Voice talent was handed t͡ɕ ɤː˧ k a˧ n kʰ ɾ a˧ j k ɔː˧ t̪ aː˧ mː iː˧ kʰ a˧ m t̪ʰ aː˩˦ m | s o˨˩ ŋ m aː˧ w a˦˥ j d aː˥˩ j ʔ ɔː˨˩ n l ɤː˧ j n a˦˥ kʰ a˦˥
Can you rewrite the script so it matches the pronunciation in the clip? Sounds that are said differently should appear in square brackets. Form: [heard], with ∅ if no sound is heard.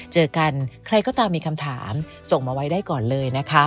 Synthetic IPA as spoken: t͡ɕ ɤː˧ k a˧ n kʰ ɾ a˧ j k [ɔː˥˩] t̪ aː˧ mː iː˧ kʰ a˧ m t̪ʰ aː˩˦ m | s o˨˩ ŋ m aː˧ w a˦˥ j d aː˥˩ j [k] ɔː˨˩ n l ɤː˧ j n a˦˥ kʰ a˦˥